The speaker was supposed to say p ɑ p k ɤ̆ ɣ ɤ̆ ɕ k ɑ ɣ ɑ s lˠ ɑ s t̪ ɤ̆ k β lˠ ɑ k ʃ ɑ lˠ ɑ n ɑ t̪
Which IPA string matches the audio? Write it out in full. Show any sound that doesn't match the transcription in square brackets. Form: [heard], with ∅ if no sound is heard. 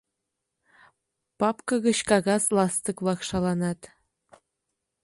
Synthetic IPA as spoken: p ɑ p k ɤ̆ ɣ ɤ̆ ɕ k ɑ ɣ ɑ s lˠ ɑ s t̪ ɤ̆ k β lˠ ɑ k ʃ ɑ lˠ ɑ n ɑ t̪